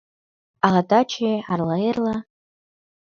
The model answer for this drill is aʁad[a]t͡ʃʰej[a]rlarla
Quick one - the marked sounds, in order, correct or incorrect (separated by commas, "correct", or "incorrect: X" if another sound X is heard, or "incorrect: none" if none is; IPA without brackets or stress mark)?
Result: correct, correct